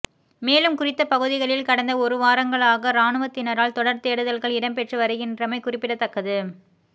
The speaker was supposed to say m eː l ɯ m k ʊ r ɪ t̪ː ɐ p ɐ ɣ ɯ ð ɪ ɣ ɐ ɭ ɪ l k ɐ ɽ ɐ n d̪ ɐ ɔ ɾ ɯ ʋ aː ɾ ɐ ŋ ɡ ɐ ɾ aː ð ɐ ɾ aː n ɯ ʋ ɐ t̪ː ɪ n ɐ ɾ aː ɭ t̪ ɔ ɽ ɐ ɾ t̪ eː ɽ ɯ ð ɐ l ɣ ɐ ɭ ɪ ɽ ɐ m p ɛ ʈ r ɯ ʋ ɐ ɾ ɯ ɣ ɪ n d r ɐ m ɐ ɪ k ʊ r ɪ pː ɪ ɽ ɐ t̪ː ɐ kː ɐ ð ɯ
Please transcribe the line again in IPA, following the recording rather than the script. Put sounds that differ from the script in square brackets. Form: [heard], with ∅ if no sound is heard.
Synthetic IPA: m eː l ɯ m k ʊ r ɪ t̪ː ɐ p ɐ ɣ ɯ ð ɪ ɣ ɐ ɭ ɪ l k ɐ ɽ ɐ n d̪ ɐ ɔ ɾ ɯ ʋ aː ɾ ɐ ŋ ɡ ɐ [ɭ] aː [ɣ] ɐ ɾ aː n ɯ ʋ ɐ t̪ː ɪ n ɐ ɾ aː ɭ t̪ ɔ ɽ ɐ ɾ t̪ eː ɽ ɯ ð ɐ l ɣ ɐ ɭ ɪ ɽ ɐ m p ɛ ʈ r ɯ ʋ ɐ ɾ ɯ ɣ ɪ n d r ɐ m ɐ ɪ k ʊ r ɪ pː ɪ ɽ ɐ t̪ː ɐ kː ɐ ð ɯ